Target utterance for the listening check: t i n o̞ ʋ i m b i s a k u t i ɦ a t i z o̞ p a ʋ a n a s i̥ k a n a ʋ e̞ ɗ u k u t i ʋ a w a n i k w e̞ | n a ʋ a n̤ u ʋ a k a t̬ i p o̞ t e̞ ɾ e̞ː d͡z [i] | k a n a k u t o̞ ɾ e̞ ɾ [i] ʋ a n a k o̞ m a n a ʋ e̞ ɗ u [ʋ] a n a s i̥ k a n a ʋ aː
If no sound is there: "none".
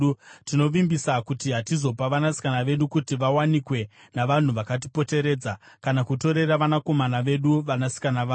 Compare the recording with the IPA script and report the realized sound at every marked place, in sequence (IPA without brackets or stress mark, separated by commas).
a, a, ʋ